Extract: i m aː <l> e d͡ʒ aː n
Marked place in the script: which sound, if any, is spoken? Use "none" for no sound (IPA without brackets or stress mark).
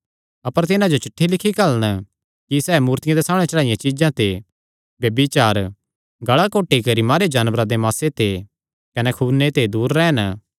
ɾ